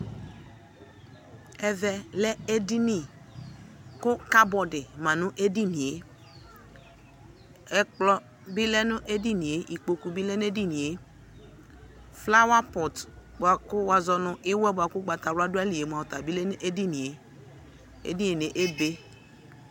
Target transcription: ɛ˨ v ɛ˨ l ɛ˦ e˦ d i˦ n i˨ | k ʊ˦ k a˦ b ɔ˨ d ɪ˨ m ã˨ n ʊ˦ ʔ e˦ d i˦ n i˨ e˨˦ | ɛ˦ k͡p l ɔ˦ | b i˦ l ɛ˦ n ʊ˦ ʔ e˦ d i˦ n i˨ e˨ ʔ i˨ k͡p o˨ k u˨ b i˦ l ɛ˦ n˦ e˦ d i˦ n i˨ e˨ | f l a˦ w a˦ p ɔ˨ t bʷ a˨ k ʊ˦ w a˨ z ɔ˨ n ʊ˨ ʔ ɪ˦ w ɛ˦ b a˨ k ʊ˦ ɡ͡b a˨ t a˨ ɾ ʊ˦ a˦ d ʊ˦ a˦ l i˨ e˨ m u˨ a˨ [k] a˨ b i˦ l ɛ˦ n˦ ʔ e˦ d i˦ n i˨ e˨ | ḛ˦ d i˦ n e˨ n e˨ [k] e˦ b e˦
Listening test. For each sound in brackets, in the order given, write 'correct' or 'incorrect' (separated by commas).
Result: incorrect, incorrect